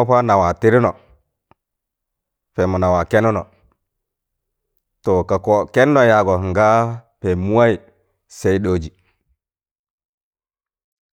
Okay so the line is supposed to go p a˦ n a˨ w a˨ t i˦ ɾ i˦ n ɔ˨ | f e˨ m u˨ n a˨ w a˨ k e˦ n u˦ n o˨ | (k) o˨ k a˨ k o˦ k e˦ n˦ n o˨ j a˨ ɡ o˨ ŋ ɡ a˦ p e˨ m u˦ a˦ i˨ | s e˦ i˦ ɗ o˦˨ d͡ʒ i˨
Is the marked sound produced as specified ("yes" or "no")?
no